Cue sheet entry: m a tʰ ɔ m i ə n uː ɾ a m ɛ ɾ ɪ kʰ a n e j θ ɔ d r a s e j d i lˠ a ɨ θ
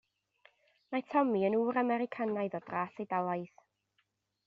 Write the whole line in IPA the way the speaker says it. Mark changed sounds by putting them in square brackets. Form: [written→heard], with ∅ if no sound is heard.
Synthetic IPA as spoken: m a tʰ ɔ m i ə n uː ɾ a m ɛ ɾ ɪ kʰ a n [e→a] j [θ→ð] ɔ d r a s e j d [i→a] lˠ a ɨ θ